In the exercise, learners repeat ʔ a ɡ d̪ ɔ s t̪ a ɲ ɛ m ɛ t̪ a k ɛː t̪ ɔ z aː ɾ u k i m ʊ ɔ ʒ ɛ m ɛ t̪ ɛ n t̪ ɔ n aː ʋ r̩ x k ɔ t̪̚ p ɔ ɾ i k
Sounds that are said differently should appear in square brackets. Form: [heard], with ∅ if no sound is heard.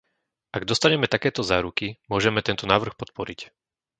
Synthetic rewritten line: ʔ a ɡ d̪ ɔ s t̪ a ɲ ɛ m ɛ t̪ a k ɛː t̪ ɔ z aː ɾ u k i m ʊ ɔ ʒ ɛ m ɛ t̪ ɛ n t̪ ɔ n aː ʋ r̩ x [p] ɔ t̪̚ p ɔ ɾ i [c]